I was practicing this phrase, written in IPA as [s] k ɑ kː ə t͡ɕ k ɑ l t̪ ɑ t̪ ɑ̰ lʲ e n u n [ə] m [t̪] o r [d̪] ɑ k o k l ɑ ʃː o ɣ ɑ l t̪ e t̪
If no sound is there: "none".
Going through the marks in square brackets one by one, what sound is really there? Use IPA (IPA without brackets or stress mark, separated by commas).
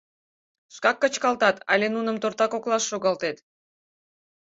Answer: ʃ, ə, t̪, t̪